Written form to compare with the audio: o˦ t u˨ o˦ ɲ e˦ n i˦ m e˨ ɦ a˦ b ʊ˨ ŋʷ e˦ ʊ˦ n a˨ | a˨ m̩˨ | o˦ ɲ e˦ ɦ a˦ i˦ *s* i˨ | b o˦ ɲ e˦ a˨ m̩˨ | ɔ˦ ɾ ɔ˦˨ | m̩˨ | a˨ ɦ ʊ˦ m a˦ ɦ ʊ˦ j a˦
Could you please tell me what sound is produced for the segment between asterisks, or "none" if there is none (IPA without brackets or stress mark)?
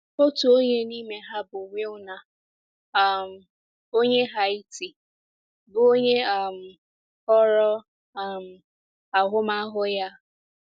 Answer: t